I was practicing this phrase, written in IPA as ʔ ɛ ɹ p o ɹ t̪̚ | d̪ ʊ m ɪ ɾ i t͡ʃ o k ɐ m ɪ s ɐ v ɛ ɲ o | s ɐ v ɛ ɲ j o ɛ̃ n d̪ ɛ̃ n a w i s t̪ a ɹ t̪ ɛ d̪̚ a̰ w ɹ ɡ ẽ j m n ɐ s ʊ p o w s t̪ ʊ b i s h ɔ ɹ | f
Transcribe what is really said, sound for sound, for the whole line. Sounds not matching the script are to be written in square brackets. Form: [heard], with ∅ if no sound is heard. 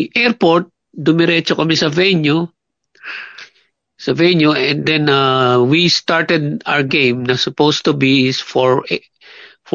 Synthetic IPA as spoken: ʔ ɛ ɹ p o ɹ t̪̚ | d̪ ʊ m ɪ ɾ [ɛ] t͡ʃ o k ɐ m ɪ s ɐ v ɛ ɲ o | s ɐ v ɛ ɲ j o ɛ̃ n d̪ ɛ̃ n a w i s t̪ a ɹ t̪ ɛ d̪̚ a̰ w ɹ ɡ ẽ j m n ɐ s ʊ p o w s t̪ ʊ b i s [f] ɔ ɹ | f